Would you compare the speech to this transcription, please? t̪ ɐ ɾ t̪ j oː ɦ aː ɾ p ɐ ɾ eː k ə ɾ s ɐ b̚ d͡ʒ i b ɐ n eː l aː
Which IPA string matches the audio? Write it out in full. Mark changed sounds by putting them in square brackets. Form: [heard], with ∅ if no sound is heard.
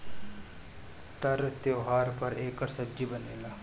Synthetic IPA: t̪ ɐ ɾ t̪ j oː ɦ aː ɾ p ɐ ɾ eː k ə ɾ s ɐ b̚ d͡ʒ i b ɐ n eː l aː